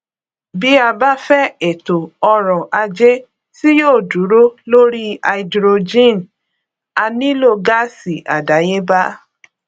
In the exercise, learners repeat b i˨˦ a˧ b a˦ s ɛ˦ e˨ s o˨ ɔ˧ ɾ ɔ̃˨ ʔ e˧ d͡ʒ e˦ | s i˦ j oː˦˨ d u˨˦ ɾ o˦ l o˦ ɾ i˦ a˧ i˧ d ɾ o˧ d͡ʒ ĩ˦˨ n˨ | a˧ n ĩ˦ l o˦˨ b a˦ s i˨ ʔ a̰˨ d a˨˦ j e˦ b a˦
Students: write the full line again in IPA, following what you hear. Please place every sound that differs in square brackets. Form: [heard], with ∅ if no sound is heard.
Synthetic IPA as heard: b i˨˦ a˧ b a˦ [f] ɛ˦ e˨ [t] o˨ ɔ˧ ɾ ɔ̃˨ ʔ [a˧] d͡ʒ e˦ | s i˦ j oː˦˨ d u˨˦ ɾ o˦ l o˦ ɾ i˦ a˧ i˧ d ɾ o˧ d͡ʒ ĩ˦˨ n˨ | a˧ n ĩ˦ l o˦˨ [ɡ] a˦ s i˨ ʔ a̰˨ d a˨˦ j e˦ b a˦